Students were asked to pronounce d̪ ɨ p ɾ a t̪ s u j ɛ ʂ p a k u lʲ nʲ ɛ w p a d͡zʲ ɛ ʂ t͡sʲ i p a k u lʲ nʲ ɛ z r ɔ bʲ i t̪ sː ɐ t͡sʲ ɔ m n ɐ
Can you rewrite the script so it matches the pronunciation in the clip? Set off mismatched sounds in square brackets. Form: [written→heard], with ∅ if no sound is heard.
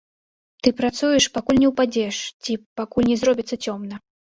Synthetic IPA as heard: [d̪→t̪] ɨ p ɾ a t̪ s u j ɛ ʂ p a k u lʲ nʲ ɛ w p a d͡zʲ ɛ ʂ t͡sʲ i p a k u lʲ nʲ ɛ z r ɔ bʲ i t̪ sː ɐ t͡sʲ ɔ m n ɐ